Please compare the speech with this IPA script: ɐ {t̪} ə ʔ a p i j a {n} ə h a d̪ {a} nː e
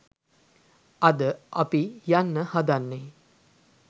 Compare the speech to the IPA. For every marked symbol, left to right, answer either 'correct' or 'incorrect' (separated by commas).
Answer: incorrect, incorrect, correct